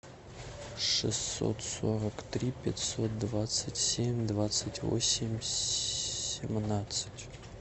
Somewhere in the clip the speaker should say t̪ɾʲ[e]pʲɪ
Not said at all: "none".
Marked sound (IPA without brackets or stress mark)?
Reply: i